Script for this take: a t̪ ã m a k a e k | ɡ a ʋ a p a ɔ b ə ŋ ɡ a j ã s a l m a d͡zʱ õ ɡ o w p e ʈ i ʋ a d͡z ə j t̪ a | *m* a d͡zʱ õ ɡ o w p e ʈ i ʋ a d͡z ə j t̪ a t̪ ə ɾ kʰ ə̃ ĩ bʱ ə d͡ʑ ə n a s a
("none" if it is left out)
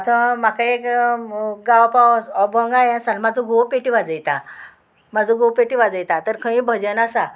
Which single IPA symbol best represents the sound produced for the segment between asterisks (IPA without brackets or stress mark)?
m